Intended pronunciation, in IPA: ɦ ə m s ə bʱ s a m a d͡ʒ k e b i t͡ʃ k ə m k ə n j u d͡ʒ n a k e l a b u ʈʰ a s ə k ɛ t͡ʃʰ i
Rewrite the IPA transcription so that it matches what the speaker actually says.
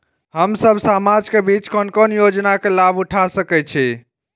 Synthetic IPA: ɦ ə m s ə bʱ s a m a d͡ʒ k e b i t͡ʃ k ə n k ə n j o d͡ʒ n a k e l a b u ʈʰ a s ə k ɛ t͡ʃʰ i